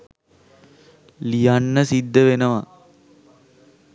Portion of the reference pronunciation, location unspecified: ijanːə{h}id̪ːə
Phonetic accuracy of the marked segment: incorrect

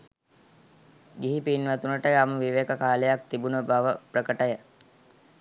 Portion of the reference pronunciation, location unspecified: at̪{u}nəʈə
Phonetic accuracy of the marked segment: correct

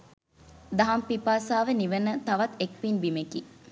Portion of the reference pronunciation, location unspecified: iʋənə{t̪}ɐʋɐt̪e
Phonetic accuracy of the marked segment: correct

